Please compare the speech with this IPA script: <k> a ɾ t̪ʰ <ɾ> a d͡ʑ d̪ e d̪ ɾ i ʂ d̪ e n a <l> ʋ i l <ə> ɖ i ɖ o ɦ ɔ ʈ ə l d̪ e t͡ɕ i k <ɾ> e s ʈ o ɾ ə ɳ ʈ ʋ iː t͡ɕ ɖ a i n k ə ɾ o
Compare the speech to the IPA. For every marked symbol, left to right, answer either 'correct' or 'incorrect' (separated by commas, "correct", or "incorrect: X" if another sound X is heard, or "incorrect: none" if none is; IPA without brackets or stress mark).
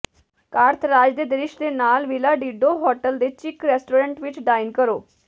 correct, correct, correct, incorrect: a, correct